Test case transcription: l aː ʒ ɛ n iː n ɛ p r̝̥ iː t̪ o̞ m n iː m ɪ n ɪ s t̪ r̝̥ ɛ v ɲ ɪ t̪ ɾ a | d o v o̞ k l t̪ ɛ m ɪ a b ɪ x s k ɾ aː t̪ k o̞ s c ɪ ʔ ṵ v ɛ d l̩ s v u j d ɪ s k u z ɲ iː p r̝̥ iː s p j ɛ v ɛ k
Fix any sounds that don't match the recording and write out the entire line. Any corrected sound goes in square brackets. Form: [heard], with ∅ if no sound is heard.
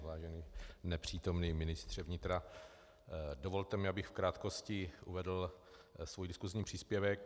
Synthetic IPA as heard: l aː ʒ ɛ n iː n ɛ p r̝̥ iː t̪ o̞ m n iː m ɪ n ɪ s t̪ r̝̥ ɛ v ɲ ɪ t̪ ɾ a | d o v o̞ [∅] l t̪ ɛ m ɪ a b ɪ x [f] k ɾ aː t̪ k o̞ s c ɪ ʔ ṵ v ɛ d l̩ s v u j d ɪ s k u z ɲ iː p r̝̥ iː s p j ɛ v ɛ k